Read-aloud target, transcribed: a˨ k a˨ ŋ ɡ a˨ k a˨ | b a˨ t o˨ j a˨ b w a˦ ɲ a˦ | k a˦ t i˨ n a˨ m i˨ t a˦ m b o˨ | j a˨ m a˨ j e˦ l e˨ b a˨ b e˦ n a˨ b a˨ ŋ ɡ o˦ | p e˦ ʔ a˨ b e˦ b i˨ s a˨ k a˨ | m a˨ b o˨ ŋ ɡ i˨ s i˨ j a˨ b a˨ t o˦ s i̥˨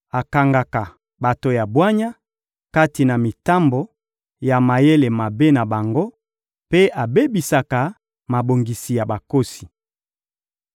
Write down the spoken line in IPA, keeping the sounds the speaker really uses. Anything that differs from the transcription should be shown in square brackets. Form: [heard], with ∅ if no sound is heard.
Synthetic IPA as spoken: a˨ k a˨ ŋ ɡ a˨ k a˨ | b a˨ t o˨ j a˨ b w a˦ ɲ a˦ | k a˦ t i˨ n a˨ m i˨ t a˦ m b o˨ | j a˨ m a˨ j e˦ l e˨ [m] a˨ b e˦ n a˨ b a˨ ŋ ɡ o˦ | p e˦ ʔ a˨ b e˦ b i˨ s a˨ k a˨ | m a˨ b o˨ ŋ ɡ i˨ s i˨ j a˨ b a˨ [k] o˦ s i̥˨